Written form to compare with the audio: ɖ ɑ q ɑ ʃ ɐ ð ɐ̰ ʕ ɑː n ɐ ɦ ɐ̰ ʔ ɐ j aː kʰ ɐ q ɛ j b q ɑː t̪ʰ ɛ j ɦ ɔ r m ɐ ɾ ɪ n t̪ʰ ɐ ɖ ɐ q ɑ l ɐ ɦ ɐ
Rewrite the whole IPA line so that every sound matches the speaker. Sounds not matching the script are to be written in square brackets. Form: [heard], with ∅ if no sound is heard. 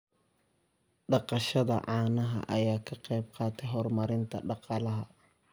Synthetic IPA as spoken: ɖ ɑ q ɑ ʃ ɐ ð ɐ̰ ʕ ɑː n ɐ ɦ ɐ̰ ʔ ɐ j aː kʰ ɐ q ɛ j b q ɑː t̪ʰ ɛ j ɦ ɔ r m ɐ ɾ ɪ n t̪ʰ ɐ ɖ [ɑ] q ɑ l ɐ ɦ ɐ